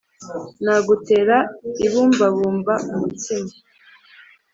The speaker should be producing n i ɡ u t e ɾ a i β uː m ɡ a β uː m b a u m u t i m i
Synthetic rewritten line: n a ɡ u t e ɾ a i β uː m b a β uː m b a u m u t i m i